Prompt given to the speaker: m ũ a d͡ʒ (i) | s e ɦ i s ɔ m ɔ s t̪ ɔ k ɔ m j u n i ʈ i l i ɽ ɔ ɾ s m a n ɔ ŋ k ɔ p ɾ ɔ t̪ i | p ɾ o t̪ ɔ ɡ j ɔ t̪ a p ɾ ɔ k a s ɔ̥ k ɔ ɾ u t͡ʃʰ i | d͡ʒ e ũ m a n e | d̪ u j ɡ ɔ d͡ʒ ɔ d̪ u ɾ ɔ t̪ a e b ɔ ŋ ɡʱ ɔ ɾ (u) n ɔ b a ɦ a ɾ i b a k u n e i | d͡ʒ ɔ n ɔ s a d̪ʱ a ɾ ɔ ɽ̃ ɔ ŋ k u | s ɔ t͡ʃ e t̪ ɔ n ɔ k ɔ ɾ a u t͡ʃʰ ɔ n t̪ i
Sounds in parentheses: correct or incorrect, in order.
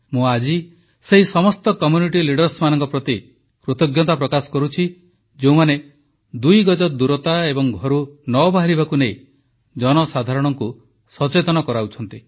correct, correct

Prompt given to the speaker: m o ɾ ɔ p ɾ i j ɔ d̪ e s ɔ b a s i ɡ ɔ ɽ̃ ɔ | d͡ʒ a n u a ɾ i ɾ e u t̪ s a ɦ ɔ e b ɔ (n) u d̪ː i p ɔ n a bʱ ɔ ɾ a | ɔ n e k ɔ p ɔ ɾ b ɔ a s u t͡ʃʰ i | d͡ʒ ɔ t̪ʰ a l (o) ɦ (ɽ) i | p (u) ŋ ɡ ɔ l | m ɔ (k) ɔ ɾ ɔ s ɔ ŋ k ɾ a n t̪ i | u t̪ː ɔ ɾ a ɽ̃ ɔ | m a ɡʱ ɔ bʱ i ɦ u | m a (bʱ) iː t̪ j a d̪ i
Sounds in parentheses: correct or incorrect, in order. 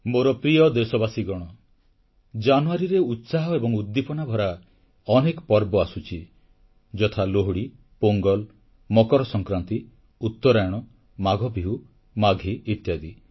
incorrect, correct, correct, incorrect, correct, incorrect

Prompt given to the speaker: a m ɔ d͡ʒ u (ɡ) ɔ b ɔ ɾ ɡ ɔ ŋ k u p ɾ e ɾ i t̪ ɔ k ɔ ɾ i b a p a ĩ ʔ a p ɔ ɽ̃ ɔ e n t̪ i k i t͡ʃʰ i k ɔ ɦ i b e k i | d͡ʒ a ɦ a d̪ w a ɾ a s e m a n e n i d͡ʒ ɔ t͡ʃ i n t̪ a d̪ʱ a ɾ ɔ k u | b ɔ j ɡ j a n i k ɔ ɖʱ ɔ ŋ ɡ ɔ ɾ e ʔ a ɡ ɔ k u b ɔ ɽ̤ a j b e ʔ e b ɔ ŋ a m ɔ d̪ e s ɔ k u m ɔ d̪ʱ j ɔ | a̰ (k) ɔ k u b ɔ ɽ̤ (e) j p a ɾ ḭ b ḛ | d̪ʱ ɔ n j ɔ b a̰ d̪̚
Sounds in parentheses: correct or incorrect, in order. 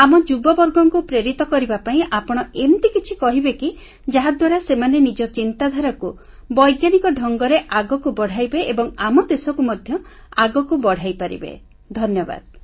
incorrect, incorrect, incorrect

